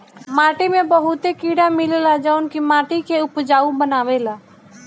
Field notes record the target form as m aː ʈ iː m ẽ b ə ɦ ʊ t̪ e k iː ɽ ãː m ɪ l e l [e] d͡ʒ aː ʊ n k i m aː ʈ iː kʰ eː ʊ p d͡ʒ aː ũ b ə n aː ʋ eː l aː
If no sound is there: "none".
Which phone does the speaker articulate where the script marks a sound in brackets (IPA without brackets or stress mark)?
a